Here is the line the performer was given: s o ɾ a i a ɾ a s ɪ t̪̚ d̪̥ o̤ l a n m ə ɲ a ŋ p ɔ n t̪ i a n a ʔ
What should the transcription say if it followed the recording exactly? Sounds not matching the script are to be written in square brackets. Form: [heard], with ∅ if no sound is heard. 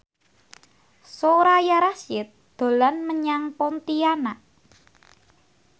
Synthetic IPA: s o ɾ a [j] a ɾ a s ɪ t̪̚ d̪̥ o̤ l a n m ə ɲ a ŋ p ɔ n t̪ i a n a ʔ